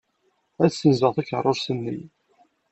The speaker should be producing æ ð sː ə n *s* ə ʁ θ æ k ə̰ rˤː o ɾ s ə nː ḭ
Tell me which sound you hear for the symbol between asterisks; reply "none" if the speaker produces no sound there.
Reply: z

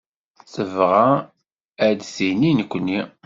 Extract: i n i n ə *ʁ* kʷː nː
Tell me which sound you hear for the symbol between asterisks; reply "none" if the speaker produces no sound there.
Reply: none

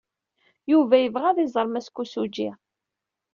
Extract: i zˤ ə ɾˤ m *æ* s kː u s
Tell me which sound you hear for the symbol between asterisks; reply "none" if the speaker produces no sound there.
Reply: æ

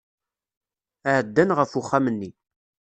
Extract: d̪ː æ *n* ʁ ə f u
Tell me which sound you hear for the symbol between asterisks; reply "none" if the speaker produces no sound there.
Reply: n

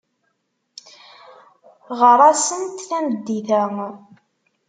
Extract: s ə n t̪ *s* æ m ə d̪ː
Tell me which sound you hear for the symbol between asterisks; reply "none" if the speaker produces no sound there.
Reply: θ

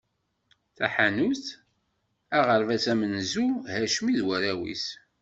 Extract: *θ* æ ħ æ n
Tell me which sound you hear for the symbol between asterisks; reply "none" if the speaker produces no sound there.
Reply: θ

